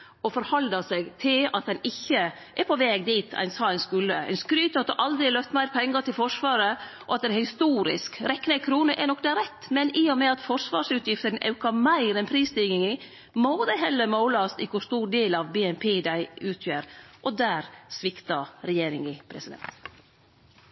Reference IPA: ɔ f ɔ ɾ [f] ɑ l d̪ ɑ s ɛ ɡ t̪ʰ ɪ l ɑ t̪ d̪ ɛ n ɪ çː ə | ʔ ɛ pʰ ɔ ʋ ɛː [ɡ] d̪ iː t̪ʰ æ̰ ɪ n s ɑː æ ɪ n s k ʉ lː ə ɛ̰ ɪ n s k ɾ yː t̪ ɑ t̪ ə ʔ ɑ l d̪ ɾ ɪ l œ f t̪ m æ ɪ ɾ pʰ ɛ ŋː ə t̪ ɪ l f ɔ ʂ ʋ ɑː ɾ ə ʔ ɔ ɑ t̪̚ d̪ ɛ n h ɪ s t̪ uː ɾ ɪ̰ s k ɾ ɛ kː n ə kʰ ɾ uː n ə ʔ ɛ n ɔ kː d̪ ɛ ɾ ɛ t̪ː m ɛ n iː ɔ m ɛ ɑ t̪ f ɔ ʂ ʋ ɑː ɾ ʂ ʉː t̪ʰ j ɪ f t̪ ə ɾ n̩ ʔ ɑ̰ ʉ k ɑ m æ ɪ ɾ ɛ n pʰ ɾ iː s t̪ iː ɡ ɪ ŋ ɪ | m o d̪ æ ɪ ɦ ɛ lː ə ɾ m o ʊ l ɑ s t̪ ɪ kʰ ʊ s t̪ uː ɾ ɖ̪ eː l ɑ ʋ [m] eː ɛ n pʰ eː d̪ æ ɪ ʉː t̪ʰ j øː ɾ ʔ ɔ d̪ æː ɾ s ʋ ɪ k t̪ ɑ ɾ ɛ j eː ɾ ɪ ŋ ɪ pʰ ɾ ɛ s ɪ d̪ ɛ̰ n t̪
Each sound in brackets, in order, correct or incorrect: incorrect: h, correct, incorrect: b

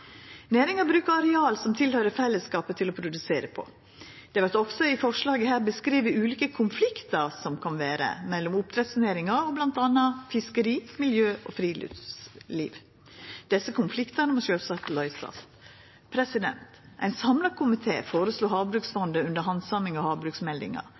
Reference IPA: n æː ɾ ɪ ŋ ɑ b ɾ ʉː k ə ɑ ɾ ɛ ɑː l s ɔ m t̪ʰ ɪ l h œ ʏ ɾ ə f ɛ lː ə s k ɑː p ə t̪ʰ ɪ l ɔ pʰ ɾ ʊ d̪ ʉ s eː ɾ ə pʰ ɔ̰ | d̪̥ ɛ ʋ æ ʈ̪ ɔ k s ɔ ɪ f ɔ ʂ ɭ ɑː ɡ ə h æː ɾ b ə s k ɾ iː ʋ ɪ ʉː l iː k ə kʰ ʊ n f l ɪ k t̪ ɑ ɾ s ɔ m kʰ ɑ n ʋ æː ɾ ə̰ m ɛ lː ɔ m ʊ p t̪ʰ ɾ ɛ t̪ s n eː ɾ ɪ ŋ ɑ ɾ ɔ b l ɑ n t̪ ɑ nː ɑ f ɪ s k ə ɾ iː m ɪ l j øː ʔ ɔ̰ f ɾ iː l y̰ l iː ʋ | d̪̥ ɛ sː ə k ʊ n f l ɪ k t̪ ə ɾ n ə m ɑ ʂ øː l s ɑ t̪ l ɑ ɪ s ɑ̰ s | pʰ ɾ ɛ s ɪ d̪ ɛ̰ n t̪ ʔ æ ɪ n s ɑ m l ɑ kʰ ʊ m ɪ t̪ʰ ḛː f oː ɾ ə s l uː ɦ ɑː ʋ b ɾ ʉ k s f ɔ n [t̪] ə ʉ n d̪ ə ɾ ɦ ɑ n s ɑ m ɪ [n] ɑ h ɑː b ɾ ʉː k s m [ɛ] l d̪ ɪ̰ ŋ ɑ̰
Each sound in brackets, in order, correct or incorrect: incorrect: d̪, incorrect: ŋ, correct

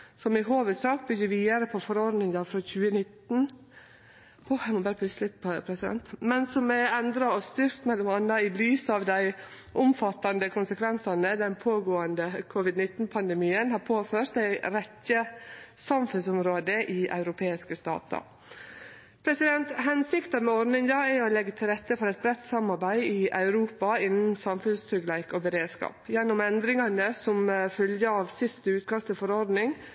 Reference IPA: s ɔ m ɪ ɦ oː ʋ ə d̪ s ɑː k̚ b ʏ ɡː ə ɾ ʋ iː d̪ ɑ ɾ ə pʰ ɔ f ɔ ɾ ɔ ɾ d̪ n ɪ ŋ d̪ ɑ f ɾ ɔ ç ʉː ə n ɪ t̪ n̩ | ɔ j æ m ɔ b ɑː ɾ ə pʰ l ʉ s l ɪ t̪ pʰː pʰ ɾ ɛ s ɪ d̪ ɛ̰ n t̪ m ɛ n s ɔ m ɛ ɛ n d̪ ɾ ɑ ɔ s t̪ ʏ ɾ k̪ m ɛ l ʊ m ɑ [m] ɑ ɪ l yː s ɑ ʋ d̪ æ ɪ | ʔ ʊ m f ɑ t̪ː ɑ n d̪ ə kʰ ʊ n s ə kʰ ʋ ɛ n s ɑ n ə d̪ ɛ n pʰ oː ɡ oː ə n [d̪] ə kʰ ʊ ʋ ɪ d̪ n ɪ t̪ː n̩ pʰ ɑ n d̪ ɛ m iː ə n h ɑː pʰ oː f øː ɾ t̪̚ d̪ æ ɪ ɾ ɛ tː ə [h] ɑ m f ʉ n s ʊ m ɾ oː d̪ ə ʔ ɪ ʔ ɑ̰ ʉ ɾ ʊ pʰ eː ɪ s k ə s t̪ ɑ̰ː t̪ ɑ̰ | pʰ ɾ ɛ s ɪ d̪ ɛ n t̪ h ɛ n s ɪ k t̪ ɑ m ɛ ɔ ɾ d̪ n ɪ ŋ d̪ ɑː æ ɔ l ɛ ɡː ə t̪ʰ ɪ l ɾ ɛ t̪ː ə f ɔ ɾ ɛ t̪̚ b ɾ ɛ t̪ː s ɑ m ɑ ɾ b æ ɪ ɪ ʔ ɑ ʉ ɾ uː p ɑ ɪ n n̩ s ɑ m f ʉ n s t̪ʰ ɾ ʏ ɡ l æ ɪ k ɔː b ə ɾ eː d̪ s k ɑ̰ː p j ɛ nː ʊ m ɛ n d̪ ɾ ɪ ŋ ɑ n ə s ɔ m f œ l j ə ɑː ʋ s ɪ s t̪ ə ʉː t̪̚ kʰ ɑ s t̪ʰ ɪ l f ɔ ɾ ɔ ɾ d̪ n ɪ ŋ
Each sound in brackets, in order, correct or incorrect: incorrect: n, correct, incorrect: s

